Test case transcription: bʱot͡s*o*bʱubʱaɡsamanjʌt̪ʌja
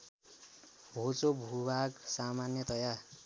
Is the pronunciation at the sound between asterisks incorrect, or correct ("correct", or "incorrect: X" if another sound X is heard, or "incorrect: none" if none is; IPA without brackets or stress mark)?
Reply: correct